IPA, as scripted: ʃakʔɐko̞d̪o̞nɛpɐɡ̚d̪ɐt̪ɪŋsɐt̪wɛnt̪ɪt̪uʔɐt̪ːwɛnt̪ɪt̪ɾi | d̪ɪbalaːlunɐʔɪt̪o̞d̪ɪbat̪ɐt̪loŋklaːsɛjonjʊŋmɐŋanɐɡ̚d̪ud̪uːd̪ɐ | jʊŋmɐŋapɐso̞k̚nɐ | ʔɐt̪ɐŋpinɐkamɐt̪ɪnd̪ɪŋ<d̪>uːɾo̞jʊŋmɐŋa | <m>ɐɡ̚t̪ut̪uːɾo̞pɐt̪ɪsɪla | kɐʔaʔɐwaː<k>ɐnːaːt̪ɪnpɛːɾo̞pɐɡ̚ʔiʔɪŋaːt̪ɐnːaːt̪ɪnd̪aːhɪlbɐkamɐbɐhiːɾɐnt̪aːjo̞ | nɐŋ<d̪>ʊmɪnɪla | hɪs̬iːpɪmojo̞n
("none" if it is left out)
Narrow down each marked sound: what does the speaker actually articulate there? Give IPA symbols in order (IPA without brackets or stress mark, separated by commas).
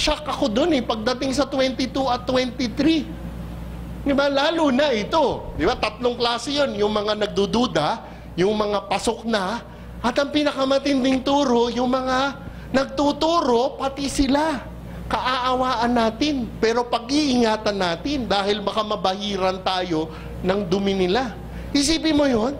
t̪, n, ʔ, d̪